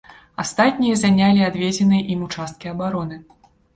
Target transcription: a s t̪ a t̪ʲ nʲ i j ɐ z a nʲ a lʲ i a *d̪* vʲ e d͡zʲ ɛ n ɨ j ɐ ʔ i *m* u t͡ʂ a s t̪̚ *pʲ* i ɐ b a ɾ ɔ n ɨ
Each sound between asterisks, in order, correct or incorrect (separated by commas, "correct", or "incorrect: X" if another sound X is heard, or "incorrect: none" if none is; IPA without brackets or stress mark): correct, correct, incorrect: kʲ